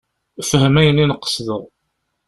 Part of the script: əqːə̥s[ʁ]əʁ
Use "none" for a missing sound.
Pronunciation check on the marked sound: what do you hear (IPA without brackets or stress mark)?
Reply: ð